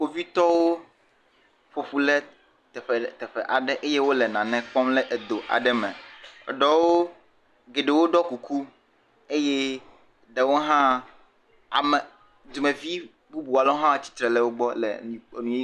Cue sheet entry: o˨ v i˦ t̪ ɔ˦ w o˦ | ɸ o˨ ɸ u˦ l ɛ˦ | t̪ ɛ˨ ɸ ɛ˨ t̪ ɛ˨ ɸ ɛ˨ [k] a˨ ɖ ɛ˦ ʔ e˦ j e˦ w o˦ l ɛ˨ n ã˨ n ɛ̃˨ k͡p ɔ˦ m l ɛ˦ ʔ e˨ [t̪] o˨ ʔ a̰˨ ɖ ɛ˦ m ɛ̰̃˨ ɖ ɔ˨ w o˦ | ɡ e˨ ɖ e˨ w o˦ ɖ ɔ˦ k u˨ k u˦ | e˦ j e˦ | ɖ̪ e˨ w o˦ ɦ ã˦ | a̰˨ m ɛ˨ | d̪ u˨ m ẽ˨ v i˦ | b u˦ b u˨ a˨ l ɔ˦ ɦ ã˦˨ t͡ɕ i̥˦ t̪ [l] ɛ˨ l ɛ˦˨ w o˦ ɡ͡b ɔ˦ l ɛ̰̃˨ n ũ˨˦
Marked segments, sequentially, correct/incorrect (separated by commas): incorrect, incorrect, incorrect